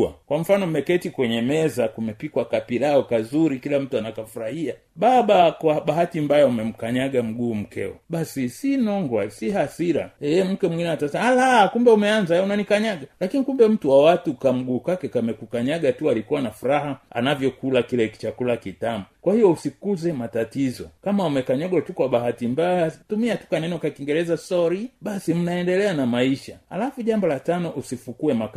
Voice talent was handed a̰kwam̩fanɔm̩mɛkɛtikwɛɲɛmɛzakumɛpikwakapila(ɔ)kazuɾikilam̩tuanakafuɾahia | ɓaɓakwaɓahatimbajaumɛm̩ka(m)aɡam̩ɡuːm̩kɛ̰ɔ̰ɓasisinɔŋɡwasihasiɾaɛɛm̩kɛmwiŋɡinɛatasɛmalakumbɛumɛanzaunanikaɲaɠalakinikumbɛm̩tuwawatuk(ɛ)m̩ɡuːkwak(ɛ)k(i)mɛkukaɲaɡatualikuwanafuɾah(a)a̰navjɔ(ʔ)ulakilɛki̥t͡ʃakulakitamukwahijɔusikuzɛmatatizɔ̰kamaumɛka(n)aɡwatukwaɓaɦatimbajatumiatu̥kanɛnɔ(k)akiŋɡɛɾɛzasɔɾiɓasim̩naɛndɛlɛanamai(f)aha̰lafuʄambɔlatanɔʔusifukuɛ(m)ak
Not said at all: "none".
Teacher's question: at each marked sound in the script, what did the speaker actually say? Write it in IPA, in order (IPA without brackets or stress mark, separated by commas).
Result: ɔ, ɲ, a, ɛ, a, a, k, ɲ, k, ʃ, m